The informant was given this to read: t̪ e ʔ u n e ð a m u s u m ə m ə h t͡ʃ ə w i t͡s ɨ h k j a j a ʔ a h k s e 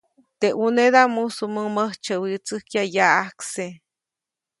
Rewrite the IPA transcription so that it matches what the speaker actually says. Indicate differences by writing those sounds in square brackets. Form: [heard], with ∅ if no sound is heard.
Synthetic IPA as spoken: t̪ e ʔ u n e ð a m u s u m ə m ə h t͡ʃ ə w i t͡s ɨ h k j a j a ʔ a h k s e

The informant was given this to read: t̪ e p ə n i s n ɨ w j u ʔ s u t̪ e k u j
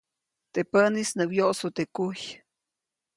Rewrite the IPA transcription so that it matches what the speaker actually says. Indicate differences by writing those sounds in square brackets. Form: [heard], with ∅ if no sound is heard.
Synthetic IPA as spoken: t̪ e p ə n i s n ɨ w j [o] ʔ s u t̪ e k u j

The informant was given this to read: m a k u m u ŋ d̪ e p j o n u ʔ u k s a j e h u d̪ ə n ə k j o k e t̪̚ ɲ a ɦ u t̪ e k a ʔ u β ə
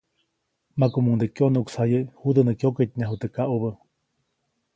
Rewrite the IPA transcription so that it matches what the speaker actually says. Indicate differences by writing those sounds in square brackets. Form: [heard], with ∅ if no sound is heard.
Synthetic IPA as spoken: m a k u m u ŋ d̪ e [k] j o n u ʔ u k s a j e h u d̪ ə n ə k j o k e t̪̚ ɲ a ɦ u t̪ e k a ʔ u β ə

